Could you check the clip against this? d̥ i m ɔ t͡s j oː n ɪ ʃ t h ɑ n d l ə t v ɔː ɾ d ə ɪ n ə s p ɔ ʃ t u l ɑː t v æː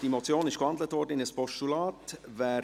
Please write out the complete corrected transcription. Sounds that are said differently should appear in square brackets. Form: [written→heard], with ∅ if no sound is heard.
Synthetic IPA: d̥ i m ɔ t͡s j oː n ɪ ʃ [t→k] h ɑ n d l ə t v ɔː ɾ d ə ɪ n ə s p ɔ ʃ t u l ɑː t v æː